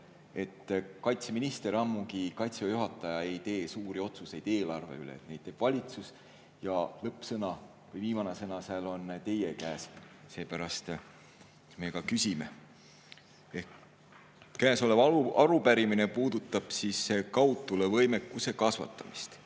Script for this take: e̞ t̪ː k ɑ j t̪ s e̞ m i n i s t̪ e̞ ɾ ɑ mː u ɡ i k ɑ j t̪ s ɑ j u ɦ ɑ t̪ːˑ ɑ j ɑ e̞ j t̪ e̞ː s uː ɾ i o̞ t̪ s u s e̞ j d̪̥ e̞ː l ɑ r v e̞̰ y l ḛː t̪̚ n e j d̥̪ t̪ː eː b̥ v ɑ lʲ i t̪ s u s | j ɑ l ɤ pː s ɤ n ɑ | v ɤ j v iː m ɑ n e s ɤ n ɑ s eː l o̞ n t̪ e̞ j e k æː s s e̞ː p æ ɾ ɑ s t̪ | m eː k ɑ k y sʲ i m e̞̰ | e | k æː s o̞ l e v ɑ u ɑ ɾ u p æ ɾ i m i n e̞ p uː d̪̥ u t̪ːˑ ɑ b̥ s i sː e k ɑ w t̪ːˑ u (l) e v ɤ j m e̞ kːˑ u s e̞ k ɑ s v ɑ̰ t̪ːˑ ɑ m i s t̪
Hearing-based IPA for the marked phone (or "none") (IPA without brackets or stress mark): l